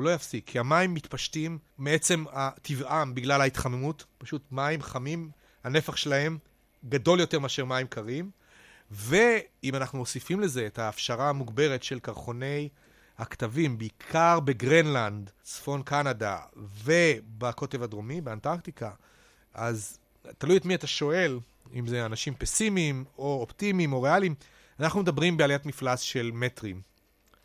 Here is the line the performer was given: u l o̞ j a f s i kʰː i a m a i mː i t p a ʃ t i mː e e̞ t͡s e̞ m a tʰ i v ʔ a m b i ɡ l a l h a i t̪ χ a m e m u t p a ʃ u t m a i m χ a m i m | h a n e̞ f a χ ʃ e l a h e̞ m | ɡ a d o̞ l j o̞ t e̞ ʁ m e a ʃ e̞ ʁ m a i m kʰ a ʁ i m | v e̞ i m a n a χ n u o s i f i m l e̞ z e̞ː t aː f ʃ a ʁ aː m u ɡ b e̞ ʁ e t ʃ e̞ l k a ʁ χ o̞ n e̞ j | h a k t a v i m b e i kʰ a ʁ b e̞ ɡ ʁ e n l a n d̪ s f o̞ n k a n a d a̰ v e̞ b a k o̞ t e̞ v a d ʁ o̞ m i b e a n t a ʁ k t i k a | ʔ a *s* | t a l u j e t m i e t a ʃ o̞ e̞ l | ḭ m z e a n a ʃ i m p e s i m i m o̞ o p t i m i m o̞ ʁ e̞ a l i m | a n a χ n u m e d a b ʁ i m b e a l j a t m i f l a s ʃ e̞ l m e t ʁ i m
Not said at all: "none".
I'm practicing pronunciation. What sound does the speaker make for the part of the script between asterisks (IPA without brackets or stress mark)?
z